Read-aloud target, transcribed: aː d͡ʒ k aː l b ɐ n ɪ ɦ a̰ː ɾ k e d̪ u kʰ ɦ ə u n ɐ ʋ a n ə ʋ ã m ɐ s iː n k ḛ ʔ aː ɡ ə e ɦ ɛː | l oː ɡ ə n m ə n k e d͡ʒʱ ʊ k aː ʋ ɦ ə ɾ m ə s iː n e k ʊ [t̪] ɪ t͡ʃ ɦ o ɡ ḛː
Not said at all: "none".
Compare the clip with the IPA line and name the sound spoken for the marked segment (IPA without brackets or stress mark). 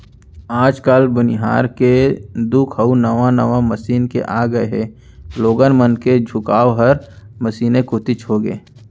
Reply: t̪